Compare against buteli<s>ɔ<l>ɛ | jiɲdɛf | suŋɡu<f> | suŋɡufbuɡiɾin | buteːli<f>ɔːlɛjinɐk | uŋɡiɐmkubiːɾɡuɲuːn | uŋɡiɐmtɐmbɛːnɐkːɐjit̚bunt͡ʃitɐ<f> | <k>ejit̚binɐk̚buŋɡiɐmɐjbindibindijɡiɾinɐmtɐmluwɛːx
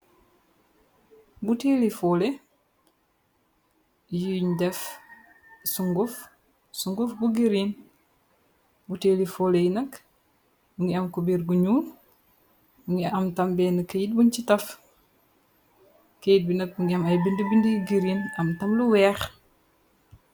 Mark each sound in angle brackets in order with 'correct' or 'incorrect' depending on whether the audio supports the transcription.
incorrect, correct, correct, correct, correct, correct

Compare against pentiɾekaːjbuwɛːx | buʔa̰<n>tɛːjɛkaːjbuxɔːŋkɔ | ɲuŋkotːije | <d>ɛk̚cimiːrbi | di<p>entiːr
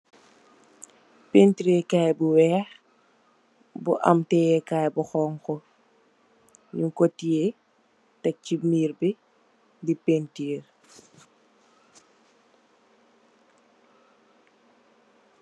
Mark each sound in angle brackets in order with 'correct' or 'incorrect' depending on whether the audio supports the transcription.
incorrect, incorrect, correct

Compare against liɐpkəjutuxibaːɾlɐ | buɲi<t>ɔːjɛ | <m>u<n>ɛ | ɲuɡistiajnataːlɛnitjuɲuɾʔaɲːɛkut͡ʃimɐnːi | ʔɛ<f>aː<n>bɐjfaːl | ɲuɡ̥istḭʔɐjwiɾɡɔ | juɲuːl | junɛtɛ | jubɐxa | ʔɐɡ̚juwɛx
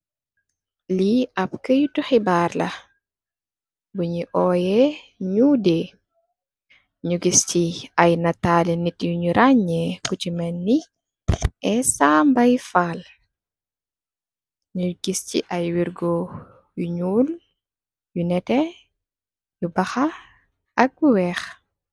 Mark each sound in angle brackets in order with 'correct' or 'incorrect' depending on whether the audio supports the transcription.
incorrect, incorrect, incorrect, incorrect, incorrect

